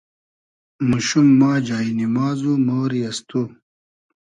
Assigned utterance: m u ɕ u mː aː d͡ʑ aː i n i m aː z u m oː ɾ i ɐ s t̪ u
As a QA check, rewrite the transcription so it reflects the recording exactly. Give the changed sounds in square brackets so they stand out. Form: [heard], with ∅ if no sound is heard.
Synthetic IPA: m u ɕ u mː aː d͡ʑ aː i n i m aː z u m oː ɾ i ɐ s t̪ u